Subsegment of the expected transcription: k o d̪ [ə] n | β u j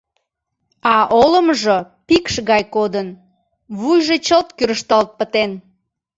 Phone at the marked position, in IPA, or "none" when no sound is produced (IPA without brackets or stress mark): ə